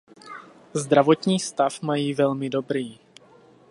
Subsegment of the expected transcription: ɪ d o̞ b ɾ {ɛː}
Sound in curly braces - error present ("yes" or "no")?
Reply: yes